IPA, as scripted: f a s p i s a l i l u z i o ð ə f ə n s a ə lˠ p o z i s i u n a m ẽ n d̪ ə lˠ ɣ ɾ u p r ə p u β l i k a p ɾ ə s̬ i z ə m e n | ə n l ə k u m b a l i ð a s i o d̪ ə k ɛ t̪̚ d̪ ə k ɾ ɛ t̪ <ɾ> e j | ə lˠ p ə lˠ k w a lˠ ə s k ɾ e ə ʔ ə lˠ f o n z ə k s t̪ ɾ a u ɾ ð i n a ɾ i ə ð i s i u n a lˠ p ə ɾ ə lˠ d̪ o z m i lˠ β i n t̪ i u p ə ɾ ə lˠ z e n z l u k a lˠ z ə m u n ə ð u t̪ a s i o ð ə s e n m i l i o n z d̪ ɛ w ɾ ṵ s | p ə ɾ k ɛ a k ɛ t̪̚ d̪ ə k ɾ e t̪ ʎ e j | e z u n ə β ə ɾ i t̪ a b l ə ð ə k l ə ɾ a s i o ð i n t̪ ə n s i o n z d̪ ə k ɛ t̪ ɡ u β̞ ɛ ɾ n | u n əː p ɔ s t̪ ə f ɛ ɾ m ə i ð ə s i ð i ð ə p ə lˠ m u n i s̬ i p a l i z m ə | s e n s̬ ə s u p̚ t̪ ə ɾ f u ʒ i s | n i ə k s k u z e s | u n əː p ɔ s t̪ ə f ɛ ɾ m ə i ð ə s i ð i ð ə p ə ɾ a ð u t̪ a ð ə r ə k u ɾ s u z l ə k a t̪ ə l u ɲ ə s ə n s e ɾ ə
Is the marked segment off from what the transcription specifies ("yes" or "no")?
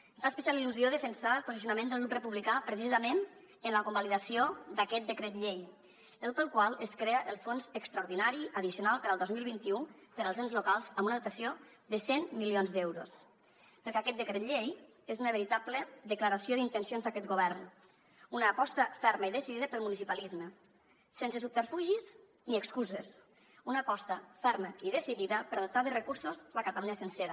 yes